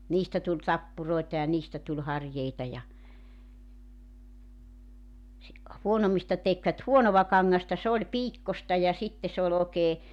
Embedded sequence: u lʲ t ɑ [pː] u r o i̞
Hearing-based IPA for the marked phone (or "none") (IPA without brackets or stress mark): pː